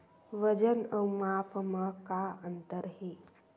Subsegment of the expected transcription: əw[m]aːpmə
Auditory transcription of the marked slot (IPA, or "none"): m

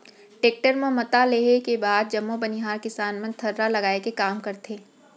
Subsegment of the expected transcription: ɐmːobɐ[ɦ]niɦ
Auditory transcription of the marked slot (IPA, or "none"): none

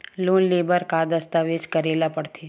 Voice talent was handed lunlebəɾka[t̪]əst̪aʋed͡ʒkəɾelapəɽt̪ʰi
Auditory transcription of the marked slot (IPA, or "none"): d̪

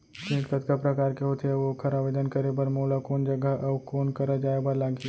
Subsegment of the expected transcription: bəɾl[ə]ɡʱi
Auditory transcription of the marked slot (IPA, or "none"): a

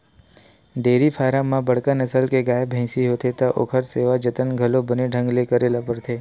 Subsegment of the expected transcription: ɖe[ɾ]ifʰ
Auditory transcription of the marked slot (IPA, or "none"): ɾ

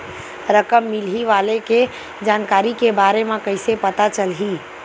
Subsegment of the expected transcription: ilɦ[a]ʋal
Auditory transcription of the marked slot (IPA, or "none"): i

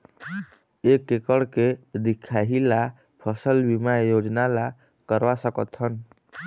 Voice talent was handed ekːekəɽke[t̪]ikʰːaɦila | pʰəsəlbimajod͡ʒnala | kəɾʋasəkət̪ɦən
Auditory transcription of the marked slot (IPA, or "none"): d̪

